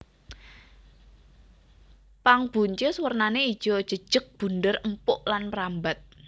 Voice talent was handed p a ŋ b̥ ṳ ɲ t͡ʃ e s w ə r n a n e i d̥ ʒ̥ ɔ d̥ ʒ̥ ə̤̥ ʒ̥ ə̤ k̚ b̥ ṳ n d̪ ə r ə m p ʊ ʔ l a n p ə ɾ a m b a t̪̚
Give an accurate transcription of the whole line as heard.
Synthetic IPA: p a ŋ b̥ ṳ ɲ t͡ʃ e s w ə r n a n e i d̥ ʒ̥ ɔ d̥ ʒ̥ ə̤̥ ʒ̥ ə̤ k̚ b̥ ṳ n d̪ ə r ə m p ʊ ʔ l a n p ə ɾ a m b a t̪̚